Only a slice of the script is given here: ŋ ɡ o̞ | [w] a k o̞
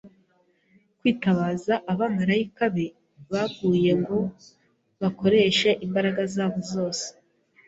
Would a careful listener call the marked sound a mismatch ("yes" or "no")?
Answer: yes